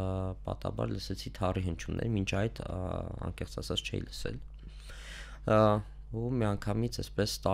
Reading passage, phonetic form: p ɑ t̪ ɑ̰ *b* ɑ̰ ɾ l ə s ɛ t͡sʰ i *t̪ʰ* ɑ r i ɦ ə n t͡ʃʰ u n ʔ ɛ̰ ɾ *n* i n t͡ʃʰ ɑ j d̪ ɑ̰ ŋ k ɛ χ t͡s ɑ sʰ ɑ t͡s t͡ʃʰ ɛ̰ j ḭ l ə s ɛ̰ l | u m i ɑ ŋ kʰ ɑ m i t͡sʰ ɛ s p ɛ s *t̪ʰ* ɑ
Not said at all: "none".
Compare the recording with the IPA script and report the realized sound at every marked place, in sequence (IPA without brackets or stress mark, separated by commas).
b, t̪ʰ, m, t̪